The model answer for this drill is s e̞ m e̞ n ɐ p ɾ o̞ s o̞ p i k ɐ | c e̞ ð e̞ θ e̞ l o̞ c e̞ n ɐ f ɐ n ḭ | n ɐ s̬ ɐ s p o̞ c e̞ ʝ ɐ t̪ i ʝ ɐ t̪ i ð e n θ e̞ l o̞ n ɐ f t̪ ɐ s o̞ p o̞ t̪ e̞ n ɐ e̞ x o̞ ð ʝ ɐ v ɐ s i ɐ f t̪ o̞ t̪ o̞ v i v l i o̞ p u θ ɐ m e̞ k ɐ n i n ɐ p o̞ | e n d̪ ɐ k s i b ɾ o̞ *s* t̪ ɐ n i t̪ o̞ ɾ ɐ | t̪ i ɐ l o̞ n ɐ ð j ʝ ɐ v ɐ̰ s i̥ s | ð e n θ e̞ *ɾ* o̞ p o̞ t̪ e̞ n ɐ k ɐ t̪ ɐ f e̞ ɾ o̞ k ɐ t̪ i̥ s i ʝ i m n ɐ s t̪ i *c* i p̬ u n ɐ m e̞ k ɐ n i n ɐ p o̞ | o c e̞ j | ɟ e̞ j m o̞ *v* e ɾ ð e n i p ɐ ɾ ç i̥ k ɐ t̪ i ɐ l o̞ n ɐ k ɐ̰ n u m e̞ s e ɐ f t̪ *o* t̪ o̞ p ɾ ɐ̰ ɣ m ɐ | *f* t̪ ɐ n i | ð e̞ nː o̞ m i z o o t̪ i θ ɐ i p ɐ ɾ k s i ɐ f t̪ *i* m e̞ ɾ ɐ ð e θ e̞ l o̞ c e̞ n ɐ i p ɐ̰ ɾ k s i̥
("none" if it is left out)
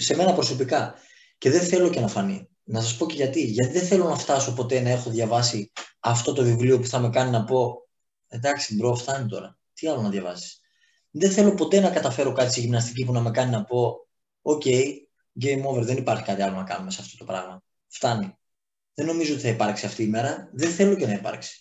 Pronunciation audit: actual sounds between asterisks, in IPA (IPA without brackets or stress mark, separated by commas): f, l, c, v, o, f, iː